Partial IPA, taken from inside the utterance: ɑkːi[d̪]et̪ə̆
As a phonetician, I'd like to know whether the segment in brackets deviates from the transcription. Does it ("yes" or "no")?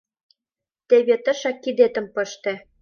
no